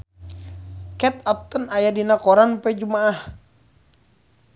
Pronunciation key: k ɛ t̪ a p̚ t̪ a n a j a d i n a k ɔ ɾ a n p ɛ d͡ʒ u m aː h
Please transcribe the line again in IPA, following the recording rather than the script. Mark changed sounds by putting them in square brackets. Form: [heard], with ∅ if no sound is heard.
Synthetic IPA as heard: k ɛ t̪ a p̚ t̪ [ə] n a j a d i n a k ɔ ɾ a n p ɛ d͡ʒ u m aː h